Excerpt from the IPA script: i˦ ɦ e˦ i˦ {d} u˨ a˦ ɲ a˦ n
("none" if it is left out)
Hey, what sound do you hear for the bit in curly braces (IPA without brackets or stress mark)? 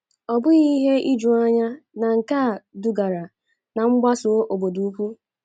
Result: d͡ʒ